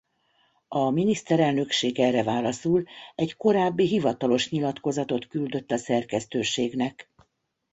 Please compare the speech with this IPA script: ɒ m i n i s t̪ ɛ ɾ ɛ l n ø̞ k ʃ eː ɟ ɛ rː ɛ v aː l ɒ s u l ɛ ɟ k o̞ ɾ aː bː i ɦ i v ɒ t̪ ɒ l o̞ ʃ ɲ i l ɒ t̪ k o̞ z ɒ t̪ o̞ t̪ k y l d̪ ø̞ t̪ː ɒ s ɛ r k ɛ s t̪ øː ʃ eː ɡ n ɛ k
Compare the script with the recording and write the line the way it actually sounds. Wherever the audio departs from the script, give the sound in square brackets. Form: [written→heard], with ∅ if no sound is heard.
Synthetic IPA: ɒ m i n i s t̪ ɛ ɾ ɛ l n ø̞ k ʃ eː [ɟ→ɡ] ɛ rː ɛ v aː l ɒ s u l ɛ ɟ k o̞ ɾ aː bː i ɦ i v ɒ t̪ ɒ l o̞ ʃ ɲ i l ɒ t̪ k o̞ z ɒ t̪ o̞ t̪ k y l d̪ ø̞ t̪ː ɒ s ɛ r k ɛ s t̪ øː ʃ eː ɡ n ɛ k